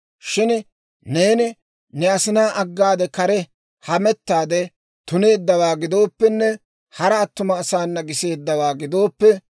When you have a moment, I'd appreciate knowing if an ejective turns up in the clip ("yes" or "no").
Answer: no